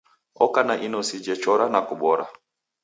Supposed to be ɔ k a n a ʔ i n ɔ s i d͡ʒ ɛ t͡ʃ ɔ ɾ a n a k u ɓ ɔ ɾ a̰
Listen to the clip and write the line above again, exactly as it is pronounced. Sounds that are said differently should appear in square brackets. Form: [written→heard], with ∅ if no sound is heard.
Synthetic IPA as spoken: ɔ k a n a ʔ i n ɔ s i d͡ʒ ɛ t͡ʃ ɔ ɾ a n a k u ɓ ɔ ɾ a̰